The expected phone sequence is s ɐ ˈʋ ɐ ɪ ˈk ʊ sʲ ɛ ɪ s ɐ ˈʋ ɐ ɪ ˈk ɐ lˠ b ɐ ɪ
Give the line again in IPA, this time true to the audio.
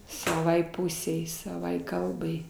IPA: s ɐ ˈʋ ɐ ɪ ˈp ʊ sʲ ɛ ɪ s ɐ ˈʋ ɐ ɪ ˈk ɐ lˠ b ɐ ɪ